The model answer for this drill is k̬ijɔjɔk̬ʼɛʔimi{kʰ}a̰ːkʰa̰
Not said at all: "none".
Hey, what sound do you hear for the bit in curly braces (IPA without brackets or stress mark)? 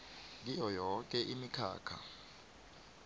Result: kʰ